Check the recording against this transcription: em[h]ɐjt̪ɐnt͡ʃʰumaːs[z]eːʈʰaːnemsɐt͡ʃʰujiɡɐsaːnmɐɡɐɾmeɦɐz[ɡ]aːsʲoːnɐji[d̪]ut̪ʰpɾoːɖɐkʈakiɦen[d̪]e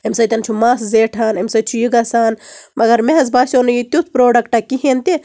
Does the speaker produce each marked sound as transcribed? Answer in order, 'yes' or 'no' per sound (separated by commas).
no, yes, no, no, no